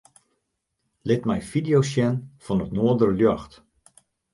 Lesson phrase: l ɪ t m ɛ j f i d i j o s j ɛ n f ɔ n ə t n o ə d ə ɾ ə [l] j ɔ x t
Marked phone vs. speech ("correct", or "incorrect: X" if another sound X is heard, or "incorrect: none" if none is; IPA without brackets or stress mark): correct